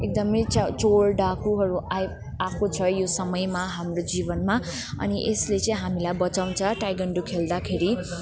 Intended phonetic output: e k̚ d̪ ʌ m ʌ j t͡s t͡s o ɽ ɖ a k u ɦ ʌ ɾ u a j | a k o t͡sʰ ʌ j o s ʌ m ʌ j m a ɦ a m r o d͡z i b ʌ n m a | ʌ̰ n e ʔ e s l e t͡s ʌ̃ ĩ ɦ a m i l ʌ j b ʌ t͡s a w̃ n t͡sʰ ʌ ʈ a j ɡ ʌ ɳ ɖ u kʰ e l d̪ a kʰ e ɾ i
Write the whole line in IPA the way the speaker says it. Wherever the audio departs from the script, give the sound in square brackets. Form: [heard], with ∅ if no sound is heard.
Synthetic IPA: e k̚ d̪ ʌ m ʌ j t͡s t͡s o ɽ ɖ a k u ɦ ʌ ɾ u a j | a k o t͡sʰ ʌ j o s ʌ m ʌ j m a ɦ a m r o d͡z i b ʌ n m a | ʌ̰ n [i] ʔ e s l e t͡s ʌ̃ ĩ ɦ a m i l [a] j b ʌ t͡s a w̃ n t͡sʰ ʌ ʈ a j ɡ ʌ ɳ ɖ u kʰ e l d̪ a kʰ e ɾ i